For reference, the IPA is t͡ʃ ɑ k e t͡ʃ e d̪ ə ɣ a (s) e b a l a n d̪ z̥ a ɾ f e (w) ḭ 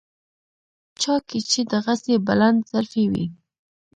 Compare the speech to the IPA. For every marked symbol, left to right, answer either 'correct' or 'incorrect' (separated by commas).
correct, correct